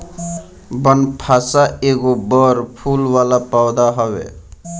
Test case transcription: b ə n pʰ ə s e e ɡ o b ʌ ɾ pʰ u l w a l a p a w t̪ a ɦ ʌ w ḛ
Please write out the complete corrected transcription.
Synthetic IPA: b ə n pʰ a s a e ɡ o b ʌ ɾ pʰ u l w a l a p a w d̪ a ɦ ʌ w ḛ